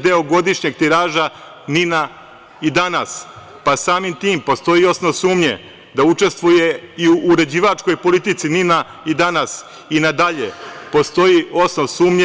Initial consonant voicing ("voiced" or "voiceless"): voiced